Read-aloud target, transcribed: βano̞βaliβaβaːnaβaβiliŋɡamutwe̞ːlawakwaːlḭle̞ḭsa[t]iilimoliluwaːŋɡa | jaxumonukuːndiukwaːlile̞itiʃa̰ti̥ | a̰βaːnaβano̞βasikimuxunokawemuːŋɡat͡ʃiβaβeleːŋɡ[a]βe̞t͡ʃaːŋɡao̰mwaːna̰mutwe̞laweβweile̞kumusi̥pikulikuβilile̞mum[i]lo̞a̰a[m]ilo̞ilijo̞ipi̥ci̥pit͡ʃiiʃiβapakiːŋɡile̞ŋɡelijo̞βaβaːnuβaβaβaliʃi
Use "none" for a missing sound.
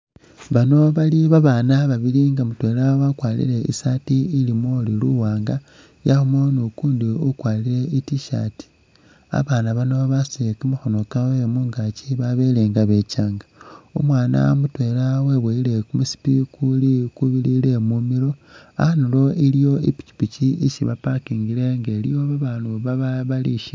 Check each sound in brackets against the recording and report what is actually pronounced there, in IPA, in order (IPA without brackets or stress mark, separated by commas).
t, a, i, n